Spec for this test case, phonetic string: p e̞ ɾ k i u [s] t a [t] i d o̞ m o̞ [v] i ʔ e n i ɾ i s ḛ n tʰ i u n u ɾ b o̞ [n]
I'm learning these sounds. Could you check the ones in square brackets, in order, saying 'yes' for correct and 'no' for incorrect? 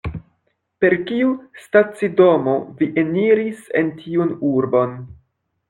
yes, no, yes, yes

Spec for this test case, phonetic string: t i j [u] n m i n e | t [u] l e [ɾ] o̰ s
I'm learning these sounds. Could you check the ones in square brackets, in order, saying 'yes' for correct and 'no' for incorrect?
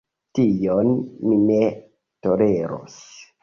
no, no, yes

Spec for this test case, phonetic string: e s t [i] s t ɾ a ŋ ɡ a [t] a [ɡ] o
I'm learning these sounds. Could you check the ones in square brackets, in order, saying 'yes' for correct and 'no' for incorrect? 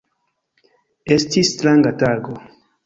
yes, yes, yes

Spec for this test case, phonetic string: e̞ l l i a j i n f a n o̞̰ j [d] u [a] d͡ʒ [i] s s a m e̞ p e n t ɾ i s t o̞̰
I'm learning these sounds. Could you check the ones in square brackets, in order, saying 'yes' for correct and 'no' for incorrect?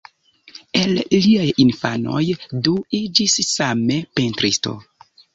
yes, no, yes

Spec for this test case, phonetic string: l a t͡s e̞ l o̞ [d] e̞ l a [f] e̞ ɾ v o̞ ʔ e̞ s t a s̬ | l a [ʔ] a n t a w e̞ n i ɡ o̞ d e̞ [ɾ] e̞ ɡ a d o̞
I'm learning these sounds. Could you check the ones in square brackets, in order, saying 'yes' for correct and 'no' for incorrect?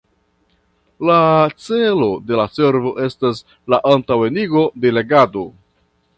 yes, no, yes, no

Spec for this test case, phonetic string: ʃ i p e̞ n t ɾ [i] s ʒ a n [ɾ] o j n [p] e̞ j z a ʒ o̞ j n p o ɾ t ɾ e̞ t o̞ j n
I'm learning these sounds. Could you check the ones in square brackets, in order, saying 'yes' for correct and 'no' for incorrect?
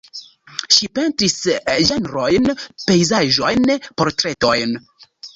yes, yes, yes

